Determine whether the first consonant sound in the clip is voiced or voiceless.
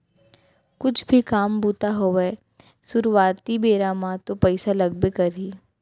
voiceless